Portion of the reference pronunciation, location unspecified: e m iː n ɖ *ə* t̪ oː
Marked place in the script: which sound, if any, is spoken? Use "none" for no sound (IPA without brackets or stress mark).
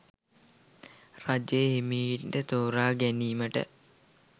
ə